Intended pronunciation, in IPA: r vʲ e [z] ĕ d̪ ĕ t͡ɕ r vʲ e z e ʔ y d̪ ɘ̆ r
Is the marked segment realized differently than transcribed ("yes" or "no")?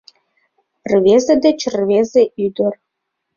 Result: no